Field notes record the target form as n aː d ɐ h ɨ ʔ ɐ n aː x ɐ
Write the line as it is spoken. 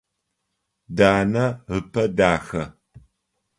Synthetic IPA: d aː n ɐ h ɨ p ɐ d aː x ɐ